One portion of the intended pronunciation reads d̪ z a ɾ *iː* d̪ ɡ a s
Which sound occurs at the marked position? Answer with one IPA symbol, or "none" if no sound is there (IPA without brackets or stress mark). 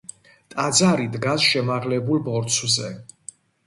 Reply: i